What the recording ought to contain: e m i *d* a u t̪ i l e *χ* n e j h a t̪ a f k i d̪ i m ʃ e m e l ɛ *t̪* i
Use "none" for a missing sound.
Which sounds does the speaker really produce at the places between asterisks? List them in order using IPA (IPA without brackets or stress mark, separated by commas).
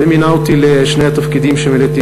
n, ʃ, t̪